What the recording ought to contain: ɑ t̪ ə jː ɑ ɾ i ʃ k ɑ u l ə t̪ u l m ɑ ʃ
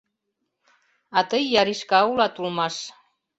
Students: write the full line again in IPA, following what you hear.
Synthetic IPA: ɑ t̪ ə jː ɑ ɾ i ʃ k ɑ u l ɑ t̪ u l m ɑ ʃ